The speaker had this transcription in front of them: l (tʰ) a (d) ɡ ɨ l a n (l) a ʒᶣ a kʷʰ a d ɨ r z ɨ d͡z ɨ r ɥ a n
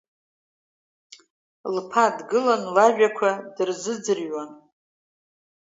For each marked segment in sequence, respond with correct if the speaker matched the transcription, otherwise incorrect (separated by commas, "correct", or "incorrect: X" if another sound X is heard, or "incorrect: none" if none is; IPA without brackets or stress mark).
incorrect: pʰ, correct, correct